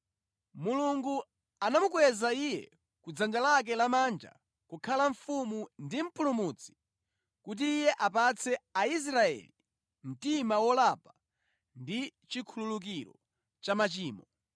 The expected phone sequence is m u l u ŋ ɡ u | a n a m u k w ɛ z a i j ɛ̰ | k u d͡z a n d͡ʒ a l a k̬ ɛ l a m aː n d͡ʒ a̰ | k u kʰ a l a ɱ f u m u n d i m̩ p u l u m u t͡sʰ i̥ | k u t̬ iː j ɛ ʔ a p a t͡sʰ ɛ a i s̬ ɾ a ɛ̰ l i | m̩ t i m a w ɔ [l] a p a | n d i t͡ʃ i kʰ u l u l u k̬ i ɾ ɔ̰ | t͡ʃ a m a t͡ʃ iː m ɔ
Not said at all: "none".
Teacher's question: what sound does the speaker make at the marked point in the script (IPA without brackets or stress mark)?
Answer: l